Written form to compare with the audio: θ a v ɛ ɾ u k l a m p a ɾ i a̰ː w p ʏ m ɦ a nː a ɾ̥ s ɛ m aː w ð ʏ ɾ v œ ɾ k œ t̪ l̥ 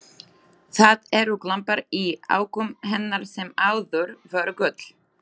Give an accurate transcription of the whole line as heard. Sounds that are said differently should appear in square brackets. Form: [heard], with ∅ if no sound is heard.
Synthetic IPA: θ a [ð] ɛ ɾ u k l a m p a ɾ i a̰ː w [k] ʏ m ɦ [ɛ] nː a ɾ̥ s ɛ m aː w ð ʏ ɾ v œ ɾ k œ t̪ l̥